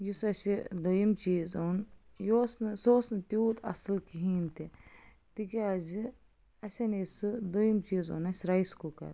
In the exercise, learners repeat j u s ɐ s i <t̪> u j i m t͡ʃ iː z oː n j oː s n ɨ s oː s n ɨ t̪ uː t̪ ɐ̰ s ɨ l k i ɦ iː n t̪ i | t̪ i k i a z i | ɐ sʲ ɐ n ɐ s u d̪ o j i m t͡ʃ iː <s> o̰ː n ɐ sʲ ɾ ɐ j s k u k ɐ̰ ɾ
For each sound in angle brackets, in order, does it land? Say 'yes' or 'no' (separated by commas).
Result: no, no